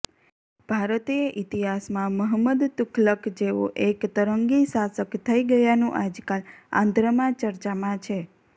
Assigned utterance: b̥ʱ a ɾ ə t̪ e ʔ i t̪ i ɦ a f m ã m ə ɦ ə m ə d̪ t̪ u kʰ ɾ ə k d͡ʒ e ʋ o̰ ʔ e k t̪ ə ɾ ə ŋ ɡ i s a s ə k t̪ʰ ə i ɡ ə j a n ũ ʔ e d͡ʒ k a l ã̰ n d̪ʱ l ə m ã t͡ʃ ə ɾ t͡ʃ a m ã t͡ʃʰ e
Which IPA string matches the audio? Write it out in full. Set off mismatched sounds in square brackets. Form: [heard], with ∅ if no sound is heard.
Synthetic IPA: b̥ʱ a ɾ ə t̪ e ʔ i t̪ i ɦ a [s] m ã m ə ɦ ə m ə d̪ t̪ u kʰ [l] ə k d͡ʒ e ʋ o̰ ʔ e k t̪ ə ɾ ə ŋ ɡ i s a s ə k t̪ʰ ə i ɡ ə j a n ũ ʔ [a] d͡ʒ k a l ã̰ n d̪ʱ [ɾ] ə m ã t͡ʃ ə ɾ t͡ʃ a m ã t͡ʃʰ e